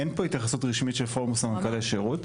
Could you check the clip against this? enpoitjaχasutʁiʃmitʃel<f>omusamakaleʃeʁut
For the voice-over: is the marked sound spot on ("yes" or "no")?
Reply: yes